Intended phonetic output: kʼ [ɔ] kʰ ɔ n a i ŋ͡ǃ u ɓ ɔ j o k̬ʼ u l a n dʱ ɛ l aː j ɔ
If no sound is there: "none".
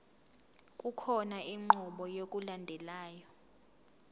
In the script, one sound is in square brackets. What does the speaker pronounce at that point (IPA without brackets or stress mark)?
u